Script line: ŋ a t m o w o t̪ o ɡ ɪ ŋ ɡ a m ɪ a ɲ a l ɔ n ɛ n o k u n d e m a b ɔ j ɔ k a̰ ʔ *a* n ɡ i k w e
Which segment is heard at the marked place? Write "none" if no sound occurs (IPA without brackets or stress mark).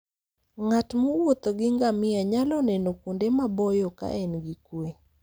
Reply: ɛ